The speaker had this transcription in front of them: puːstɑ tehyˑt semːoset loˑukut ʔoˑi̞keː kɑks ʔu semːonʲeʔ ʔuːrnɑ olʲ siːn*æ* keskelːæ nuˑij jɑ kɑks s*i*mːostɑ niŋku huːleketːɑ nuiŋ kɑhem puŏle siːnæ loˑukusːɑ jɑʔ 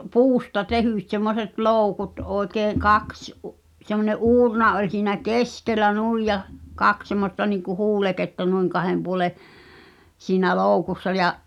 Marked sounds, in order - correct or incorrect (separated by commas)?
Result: correct, incorrect